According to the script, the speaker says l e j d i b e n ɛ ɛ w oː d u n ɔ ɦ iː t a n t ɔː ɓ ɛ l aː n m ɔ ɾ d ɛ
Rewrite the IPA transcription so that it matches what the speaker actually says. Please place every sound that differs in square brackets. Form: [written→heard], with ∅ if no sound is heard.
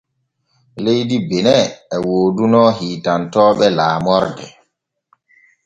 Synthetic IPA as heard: l e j d i b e n ɛ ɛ w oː d u n ɔ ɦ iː t a n t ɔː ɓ ɛ l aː [n→∅] m ɔ ɾ d ɛ